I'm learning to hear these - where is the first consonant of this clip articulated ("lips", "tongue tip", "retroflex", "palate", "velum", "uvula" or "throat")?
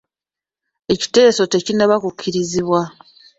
palate